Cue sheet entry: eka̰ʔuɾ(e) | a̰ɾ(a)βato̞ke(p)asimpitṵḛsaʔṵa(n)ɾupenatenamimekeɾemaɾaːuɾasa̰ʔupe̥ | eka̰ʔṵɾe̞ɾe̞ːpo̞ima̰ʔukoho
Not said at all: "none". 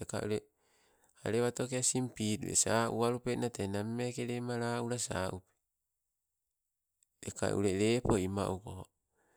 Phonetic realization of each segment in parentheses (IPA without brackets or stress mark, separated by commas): e, e, none, none